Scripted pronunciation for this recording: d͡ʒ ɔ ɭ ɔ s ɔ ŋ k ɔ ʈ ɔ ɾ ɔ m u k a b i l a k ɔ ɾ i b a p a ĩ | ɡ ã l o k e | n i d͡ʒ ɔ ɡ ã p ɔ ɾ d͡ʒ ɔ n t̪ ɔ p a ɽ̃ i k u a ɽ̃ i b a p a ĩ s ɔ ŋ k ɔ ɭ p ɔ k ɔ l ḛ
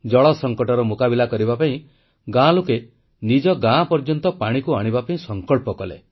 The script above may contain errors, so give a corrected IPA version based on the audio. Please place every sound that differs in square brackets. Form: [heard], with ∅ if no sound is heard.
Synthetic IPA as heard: d͡ʒ ɔ ɭ ɔ s ɔ ŋ k ɔ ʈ ɔ ɾ ɔ m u k a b i l a k ɔ ɾ i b a p a ĩ | ɡ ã l o k e | n i d͡ʒ ɔ ɡ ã p ɔ ɾ d͡ʒ ɔ n t̪ ɔ p a ɽ̃ i k u a ɽ̃ i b a p a ĩ s ɔ ŋ k ɔ ɭ p ɔ k ɔ l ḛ

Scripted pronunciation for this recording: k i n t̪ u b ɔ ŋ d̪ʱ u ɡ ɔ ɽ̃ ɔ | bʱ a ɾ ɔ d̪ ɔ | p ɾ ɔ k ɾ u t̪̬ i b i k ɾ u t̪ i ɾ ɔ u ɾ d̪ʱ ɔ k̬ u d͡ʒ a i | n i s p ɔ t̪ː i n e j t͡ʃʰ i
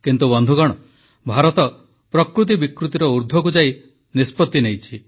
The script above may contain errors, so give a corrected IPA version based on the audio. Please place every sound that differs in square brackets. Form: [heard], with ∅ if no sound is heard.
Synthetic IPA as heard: k i n t̪ u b ɔ [n] d̪ʱ u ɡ ɔ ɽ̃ ɔ | bʱ a ɾ ɔ [t̪] ɔ | p ɾ ɔ k ɾ u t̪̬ i b i k ɾ u t̪ i ɾ ɔ u ɾ d̪ʱ ɔ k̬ u d͡ʒ a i | n i s p ɔ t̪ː i n e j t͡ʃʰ i

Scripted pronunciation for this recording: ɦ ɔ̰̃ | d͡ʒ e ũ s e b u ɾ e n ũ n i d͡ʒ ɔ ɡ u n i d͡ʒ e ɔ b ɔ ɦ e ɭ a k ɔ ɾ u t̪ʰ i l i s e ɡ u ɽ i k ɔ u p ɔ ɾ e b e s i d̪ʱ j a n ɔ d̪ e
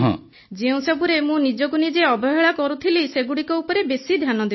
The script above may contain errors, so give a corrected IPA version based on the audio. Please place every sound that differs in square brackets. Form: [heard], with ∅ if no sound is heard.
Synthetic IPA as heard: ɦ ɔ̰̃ | d͡ʒ e ũ s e b u ɾ e [m] ũ n i d͡ʒ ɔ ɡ u n i d͡ʒ e ɔ b ɔ ɦ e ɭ a k ɔ ɾ u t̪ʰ i l i s e ɡ u ɽ i k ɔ u p ɔ ɾ e b e s i d̪ʱ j a n ɔ d̪ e

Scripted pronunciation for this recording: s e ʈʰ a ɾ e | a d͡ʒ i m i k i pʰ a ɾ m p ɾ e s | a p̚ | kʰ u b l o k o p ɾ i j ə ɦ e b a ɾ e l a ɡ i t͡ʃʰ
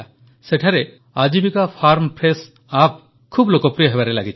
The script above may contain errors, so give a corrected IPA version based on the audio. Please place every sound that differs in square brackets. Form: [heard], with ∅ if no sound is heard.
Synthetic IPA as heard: s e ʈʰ a ɾ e | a d͡ʒ i [b] i k [a] pʰ a ɾ m p ɾ e s | a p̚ | kʰ u b l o k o p ɾ i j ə ɦ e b a ɾ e l a ɡ i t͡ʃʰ

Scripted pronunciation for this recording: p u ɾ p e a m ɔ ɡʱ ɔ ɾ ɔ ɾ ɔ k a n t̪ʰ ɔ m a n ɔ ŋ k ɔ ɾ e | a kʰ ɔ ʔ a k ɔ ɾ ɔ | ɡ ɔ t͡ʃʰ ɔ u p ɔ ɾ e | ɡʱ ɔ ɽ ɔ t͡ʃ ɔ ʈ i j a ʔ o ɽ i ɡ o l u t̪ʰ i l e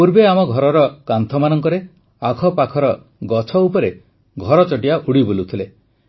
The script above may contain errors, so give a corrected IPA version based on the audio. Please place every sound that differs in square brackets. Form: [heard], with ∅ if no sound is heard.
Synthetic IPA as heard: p u ɾ [b] e a m ɔ ɡʱ ɔ ɾ ɔ ɾ ɔ k a n t̪ʰ ɔ m a n ɔ ŋ k ɔ ɾ e | a kʰ ɔ [p] a [kʰ] ɔ ɾ ɔ | ɡ ɔ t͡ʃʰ ɔ u p ɔ ɾ e | ɡʱ ɔ [ɾ] ɔ t͡ʃ ɔ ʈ i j a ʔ [u] ɽ i [b] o l u t̪ʰ i l e

